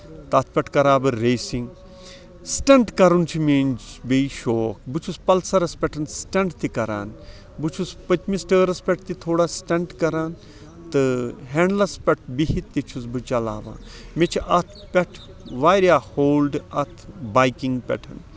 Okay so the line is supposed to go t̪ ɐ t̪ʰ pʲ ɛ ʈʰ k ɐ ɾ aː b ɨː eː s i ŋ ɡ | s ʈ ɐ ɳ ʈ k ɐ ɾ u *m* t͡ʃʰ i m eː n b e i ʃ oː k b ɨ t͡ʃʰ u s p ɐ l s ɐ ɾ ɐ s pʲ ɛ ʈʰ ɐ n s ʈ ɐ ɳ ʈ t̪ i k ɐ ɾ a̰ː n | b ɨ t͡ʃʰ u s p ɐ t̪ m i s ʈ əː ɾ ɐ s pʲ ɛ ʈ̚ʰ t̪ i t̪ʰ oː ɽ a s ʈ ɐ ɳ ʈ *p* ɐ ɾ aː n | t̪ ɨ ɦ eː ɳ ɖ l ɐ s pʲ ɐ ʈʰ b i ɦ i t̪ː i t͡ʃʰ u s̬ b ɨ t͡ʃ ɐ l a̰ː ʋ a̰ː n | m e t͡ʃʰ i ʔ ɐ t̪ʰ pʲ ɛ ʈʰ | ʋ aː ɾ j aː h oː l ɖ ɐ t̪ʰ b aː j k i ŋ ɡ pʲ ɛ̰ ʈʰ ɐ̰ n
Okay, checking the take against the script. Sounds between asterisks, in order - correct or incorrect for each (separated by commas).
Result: incorrect, incorrect